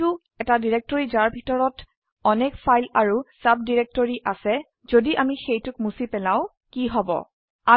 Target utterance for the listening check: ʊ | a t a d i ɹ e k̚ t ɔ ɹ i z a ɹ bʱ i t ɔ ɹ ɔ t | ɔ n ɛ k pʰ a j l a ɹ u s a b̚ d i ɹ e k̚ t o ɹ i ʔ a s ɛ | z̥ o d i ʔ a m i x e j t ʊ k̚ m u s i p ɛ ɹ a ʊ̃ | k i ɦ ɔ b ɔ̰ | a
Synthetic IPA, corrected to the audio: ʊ | ɛ t a d i ɹ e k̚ t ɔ ɹ i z a ɹ bʱ i t ɔ ɹ ɔ t | ɔ n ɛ k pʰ a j l a ɹ u s a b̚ d i ɹ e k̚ t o ɹ i ʔ a s ɛ | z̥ o d i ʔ a m i x e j t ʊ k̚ m u s i p ɛ l a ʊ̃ | k i ɦ ɔ b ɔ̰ | a